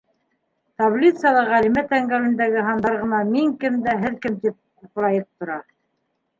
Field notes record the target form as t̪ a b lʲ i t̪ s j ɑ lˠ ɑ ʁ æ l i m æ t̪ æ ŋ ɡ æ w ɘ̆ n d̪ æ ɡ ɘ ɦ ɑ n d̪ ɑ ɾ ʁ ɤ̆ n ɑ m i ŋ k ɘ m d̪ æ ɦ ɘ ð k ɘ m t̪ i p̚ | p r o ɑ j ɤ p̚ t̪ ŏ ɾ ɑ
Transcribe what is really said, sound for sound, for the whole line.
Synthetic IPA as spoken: t̪ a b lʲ i t̪ s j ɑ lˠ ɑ ʁ æ l i m æ t̪ æ ŋ ɡ æ w ɘ̆ n d̪ æ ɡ ɘ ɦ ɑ n d̪ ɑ ɾ ʁ ɤ̆ n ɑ m i ŋ k ɘ m d̪ æ ɦ ɘ ð k ɘ m t̪ i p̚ | p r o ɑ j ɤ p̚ t̪ ŏ ɾ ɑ